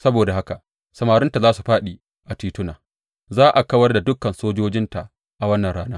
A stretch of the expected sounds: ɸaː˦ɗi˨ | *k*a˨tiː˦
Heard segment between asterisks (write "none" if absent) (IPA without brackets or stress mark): ʔ